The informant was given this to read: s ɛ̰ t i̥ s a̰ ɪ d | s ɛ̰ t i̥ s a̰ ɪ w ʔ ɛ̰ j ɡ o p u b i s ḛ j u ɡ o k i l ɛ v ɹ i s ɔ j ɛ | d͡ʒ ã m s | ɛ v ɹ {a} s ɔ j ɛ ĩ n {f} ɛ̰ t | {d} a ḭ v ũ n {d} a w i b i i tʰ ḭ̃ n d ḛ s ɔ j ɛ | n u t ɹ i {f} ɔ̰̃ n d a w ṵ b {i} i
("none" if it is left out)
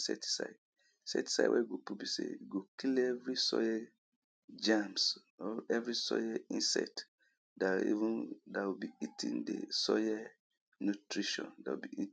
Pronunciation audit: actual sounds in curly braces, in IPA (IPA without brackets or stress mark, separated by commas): i, s, d, d, ʃ, i